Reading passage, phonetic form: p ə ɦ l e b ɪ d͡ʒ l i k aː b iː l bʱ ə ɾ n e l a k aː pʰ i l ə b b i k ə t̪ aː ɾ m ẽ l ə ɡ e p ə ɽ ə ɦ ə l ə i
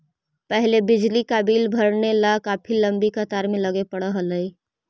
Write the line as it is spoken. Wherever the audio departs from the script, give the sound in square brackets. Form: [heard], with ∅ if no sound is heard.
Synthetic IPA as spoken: p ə ɦ l e b ɪ d͡ʒ l i k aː b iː l bʱ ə ɾ n e l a k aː pʰ i l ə [m] b i k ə t̪ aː ɾ m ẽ l ə ɡ e p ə ɽ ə ɦ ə l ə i